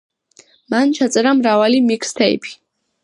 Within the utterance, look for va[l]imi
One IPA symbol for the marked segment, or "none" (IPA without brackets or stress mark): l